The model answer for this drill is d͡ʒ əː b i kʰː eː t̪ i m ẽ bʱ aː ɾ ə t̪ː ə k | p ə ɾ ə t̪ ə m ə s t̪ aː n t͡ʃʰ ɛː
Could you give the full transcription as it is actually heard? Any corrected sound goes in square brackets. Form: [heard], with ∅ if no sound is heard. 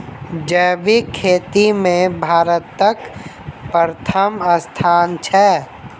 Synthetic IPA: d͡ʒ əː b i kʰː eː t̪ i m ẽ bʱ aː ɾ ə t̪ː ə k | p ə ɾ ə [t̪ʰ] ə m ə s [t̪ʰ] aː n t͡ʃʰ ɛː